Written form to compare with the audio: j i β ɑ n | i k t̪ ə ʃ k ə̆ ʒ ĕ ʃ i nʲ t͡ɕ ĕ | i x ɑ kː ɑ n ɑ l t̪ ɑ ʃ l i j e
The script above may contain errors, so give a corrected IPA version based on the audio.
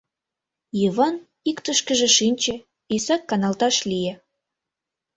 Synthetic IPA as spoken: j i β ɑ n | i k t̪ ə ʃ k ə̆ ʒ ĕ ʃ i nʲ t͡ɕ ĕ | i s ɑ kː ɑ n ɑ l t̪ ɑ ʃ l i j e